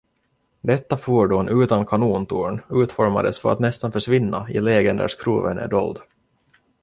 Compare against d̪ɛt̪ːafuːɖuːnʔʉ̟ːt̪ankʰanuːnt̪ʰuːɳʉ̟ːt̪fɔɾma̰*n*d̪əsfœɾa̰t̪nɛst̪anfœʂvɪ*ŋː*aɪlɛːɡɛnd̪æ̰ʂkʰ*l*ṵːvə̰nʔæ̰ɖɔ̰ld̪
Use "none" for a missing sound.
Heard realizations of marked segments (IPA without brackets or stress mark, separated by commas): none, nː, ɾ